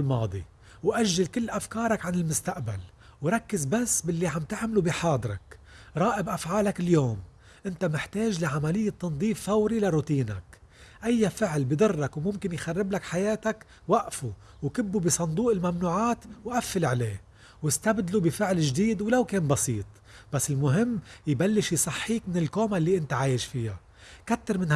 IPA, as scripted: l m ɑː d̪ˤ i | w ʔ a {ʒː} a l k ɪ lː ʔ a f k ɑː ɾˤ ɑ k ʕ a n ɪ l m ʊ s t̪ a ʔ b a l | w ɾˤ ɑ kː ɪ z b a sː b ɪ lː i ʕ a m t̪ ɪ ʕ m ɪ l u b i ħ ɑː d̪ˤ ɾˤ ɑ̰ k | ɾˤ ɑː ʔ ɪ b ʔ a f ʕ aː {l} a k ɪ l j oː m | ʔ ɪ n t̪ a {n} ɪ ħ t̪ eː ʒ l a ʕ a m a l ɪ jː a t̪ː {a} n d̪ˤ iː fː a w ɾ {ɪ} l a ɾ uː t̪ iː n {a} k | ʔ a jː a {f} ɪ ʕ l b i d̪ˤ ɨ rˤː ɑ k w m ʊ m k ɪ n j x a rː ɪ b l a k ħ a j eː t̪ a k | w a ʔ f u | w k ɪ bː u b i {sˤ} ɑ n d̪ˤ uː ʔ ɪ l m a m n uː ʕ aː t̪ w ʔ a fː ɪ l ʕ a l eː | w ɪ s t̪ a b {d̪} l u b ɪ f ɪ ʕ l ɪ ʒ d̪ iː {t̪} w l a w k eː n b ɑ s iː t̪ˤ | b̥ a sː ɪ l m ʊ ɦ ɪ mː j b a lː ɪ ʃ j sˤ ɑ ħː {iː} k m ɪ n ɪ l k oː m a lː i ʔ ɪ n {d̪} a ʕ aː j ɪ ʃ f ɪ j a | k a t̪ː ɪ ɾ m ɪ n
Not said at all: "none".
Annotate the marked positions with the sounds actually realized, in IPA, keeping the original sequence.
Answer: ʒː, l, m, ɑ, i, a, f, sˤ, d̪, d̪, iː, t̪

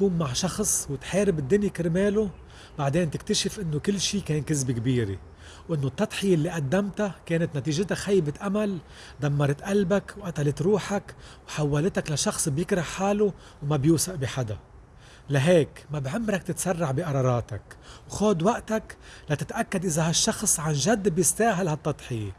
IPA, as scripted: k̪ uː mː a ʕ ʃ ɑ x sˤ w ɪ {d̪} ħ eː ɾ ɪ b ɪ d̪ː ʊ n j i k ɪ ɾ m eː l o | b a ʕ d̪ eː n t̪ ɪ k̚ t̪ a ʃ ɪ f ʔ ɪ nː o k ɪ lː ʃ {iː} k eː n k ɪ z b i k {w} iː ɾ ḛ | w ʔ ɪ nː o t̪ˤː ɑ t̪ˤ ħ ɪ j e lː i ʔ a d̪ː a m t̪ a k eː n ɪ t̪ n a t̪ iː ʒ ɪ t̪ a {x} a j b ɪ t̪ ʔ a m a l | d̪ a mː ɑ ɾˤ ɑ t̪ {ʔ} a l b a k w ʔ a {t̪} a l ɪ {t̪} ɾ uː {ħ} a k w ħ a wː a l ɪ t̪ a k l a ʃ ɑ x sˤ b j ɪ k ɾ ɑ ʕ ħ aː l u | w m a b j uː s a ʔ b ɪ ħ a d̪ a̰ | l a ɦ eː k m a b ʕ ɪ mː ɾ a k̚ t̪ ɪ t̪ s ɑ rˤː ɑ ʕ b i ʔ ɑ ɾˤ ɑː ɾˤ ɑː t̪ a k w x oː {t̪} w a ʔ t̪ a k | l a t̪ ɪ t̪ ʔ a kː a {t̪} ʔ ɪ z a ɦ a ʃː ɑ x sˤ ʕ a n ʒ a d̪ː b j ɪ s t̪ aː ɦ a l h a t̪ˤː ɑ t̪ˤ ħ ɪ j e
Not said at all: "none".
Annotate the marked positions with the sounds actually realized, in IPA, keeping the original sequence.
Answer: t̪, iː, b, x, ʔ, t̪, t̪, ħ, d̪, d̪

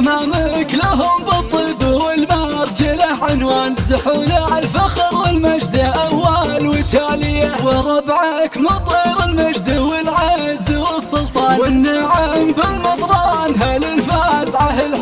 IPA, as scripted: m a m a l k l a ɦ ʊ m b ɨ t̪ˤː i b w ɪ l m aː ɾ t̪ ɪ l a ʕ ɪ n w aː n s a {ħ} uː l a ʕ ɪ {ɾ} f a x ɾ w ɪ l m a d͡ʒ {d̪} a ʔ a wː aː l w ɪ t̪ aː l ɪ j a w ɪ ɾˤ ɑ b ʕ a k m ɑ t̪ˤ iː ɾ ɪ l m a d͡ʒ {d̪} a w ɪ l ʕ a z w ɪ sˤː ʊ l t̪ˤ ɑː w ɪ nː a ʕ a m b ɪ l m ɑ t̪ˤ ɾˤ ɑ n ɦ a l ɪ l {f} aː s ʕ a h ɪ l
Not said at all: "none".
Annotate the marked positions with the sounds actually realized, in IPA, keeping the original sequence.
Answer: ħ, l, d̪, d̪, f

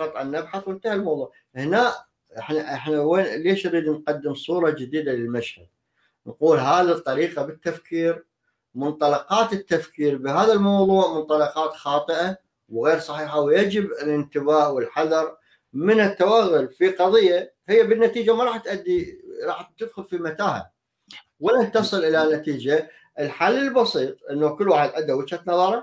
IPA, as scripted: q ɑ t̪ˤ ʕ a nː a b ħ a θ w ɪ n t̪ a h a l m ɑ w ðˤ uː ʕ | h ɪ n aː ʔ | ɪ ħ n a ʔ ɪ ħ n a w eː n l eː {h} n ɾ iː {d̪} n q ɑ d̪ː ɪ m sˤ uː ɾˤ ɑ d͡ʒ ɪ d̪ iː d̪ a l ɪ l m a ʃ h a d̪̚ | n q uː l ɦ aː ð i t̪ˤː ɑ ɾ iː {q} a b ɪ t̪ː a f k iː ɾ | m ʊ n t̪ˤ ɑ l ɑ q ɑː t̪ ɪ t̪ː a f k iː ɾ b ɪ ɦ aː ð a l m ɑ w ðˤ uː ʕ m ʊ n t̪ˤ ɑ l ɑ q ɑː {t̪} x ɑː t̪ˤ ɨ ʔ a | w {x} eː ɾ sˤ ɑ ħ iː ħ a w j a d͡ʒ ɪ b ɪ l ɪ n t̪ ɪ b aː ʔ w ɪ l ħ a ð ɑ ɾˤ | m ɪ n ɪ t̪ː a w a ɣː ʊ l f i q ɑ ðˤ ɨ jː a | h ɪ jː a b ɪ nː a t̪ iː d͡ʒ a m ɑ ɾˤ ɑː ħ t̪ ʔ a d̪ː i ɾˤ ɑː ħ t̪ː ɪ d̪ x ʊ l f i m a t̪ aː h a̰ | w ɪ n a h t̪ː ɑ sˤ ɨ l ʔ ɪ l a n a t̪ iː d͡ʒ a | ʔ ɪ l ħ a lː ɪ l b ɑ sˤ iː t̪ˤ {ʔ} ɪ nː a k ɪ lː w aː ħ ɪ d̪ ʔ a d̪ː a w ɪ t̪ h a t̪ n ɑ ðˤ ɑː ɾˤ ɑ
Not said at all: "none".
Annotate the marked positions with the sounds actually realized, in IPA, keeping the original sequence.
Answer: ʃ, d̪, q, t̪, ɣ, ʔ

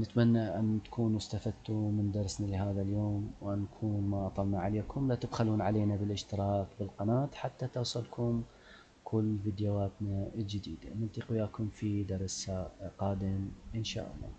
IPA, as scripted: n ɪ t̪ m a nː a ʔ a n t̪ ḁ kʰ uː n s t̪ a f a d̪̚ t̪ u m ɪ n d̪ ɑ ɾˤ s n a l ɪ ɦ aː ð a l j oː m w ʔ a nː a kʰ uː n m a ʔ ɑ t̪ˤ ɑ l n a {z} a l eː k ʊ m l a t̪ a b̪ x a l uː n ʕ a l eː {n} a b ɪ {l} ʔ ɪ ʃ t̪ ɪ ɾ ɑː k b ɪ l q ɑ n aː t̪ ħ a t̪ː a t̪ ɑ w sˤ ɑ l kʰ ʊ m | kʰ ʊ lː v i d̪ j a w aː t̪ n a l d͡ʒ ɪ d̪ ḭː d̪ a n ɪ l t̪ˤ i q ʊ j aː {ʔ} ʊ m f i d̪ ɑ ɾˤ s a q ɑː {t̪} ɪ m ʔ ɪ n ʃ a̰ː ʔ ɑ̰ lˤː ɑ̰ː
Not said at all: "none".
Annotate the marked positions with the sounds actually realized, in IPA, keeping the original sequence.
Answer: ʕ, n, l, k, d̪

